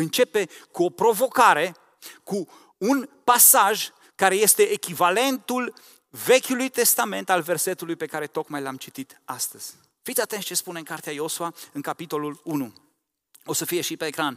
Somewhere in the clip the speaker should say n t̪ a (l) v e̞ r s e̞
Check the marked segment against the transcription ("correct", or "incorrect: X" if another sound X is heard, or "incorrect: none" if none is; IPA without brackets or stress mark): correct